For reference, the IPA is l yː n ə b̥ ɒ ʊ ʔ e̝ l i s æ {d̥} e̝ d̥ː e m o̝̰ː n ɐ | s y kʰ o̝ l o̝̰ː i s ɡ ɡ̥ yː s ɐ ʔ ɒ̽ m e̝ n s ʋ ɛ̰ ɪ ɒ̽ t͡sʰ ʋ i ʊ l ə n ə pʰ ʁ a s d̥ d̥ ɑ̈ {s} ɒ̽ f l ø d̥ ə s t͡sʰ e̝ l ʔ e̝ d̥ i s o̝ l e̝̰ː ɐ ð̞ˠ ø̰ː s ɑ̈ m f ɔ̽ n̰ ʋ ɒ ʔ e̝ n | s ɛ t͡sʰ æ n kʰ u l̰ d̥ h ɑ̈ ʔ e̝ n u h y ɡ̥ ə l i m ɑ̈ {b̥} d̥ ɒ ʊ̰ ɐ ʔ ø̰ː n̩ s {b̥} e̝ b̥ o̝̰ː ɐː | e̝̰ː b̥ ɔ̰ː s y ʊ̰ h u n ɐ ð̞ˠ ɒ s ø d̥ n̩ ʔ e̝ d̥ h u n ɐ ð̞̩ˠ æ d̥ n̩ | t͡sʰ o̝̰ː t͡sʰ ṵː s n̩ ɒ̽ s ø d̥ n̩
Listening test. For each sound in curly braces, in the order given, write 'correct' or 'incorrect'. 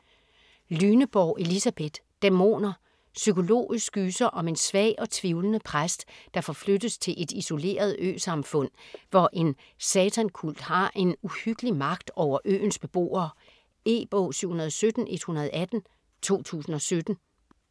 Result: incorrect: b̥, incorrect: f, incorrect: ɡ̥, correct

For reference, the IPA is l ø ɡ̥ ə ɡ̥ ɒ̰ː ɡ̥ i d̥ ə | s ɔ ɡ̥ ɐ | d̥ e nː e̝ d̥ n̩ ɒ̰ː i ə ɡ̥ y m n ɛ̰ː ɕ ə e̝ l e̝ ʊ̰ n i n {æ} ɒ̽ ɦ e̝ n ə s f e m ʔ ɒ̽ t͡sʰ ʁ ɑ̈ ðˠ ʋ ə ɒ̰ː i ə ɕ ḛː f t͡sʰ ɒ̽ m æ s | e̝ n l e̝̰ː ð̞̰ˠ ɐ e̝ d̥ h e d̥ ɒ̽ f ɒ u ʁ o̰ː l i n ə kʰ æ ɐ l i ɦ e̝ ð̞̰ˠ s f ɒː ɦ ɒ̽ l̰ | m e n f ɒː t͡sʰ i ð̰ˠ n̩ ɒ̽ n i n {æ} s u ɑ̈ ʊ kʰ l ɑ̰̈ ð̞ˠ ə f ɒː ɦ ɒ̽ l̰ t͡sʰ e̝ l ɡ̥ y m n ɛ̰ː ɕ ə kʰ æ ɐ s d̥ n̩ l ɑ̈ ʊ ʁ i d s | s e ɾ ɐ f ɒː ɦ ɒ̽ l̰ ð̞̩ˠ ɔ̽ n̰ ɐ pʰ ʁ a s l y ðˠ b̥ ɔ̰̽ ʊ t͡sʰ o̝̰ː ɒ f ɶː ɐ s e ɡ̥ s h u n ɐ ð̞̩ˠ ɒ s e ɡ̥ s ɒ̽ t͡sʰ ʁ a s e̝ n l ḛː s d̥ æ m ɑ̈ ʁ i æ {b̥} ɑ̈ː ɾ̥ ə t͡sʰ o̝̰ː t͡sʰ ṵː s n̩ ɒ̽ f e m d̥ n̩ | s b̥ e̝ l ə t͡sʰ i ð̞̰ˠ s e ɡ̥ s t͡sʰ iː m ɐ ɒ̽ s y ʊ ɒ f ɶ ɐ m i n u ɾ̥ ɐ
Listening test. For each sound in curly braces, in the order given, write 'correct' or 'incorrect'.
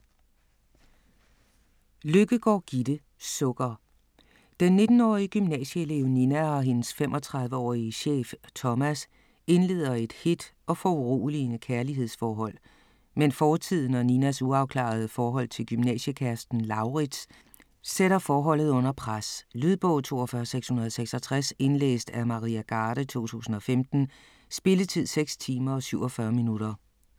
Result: correct, correct, incorrect: ɡ̥

